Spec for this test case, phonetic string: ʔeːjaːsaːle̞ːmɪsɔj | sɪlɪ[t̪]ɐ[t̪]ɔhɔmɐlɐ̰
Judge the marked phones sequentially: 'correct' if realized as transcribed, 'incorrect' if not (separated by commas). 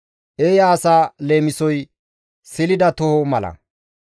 incorrect, correct